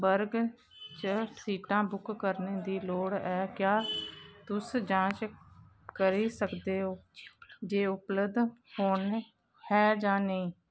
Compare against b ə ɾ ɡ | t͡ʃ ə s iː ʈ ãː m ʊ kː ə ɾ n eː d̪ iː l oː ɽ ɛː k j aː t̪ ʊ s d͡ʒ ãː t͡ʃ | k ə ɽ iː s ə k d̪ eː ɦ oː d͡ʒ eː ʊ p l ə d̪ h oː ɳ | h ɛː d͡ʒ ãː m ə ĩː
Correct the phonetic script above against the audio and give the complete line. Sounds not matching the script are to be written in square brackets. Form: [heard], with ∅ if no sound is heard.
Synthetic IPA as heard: b ə ɾ ɡ | t͡ʃ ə s iː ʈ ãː [b] ʊ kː ə ɾ n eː d̪ iː l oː ɽ ɛː k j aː t̪ ʊ s d͡ʒ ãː t͡ʃ | k ə [ɾ] iː s ə k d̪ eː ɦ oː d͡ʒ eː ʊ p l ə d̪ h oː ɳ | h ɛː d͡ʒ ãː [n] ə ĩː

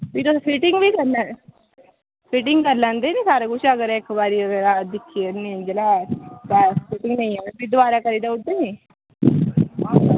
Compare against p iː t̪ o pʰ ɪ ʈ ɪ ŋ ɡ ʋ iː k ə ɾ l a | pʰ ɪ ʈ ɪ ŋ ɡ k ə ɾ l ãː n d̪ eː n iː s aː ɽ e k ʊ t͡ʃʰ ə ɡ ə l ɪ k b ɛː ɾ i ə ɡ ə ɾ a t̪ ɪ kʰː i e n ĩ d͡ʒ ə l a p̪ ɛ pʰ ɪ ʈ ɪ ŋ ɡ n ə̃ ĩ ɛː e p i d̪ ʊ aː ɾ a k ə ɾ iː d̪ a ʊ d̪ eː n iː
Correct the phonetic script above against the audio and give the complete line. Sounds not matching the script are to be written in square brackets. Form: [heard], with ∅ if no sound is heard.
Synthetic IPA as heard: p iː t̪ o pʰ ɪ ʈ ɪ ŋ ɡ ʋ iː k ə ɾ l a | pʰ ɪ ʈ ɪ ŋ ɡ k ə ɾ l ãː n d̪ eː n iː s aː [ɾ] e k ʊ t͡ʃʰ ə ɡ ə [ɾ] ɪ k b [aː] ɾ i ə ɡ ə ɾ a [d̪] ɪ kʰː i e n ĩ d͡ʒ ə l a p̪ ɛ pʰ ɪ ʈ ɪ ŋ ɡ n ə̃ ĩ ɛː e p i d̪ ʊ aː ɾ a k ə ɾ iː d̪ a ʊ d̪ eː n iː

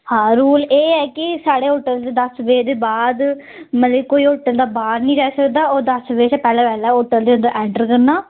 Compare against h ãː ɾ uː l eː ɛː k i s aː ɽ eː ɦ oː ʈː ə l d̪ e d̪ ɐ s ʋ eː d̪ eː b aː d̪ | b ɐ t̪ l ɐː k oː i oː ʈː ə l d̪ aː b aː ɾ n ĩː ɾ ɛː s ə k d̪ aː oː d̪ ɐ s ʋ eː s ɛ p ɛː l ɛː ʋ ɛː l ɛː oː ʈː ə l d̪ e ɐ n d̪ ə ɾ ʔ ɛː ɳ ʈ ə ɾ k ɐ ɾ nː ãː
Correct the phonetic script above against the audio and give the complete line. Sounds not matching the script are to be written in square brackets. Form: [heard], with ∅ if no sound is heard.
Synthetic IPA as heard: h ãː ɾ uː l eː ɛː k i s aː ɽ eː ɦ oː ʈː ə l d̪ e d̪ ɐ s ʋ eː d̪ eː b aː d̪ | [m] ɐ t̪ l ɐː k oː i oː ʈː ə l d̪ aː b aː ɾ n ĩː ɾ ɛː s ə k d̪ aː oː d̪ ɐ s ʋ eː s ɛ p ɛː l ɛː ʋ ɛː l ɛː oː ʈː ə l d̪ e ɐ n d̪ ə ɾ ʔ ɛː ɳ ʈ ə ɾ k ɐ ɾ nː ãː

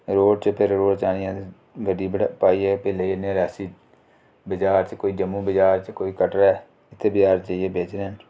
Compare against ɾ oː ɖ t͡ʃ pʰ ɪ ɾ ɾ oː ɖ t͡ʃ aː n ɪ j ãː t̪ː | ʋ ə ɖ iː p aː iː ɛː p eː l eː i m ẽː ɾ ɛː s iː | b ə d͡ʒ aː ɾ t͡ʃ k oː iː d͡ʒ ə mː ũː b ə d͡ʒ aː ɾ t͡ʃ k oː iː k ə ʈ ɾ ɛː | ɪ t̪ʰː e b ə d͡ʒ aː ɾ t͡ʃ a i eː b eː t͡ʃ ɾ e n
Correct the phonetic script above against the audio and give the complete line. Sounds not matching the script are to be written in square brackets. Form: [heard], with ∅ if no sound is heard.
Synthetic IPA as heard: ɾ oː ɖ t͡ʃ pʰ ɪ ɾ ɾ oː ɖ t͡ʃ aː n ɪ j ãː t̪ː | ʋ ə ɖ iː p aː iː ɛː p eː l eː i [n] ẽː ɾ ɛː s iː | b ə d͡ʒ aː ɾ t͡ʃ k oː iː d͡ʒ ə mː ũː b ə d͡ʒ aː ɾ t͡ʃ k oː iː k ə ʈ ɾ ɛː | ɪ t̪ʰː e b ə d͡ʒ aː ɾ t͡ʃ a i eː b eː t͡ʃ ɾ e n

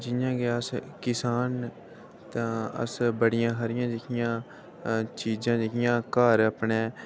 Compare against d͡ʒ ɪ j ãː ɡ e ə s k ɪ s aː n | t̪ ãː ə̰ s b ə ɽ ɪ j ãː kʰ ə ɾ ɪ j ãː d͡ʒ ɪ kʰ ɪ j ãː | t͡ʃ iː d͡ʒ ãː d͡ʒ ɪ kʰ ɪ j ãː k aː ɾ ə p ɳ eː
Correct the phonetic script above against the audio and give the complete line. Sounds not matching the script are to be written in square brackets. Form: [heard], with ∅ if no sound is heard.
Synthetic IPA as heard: d͡ʒ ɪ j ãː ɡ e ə s k ɪ s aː n | t̪ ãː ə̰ s b ə ɽ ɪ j ãː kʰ ə ɾ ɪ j ãː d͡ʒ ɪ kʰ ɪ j ãː | t͡ʃ iː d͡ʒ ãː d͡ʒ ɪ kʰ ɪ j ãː k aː ɾ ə p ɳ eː

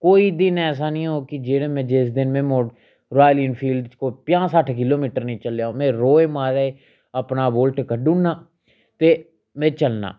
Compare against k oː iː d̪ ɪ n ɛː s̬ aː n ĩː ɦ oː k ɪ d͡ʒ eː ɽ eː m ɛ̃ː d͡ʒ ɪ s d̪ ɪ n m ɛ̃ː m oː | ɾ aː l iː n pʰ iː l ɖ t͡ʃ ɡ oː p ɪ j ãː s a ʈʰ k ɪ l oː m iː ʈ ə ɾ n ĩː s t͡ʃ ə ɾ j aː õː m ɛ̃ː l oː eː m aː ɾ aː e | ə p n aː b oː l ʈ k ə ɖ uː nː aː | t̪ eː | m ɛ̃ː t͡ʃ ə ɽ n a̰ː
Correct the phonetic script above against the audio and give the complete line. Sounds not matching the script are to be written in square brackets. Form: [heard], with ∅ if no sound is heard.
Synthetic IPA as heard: k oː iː d̪ ɪ n ɛː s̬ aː n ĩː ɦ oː k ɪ d͡ʒ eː ɽ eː m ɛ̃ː d͡ʒ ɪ s d̪ ɪ n m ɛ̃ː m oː | ɾ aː l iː n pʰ iː l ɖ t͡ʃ [k] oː p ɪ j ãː s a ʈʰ k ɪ l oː m iː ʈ ə ɾ n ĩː [∅] t͡ʃ ə [l] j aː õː m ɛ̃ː [ɾ] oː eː m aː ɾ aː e | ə p n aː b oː l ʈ k ə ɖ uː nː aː | t̪ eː | m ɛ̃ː t͡ʃ ə [l] n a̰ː

